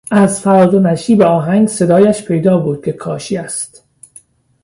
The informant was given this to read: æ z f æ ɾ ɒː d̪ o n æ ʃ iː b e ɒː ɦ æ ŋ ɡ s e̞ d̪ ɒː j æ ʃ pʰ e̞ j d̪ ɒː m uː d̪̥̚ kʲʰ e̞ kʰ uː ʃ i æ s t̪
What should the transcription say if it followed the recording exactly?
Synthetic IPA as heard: æ z f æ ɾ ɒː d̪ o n æ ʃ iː b e ɒː ɦ æ ŋ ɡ s e̞ d̪ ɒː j æ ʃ pʰ e̞ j d̪ ɒː b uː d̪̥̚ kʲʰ e̞ kʰ ɒː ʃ i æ s t̪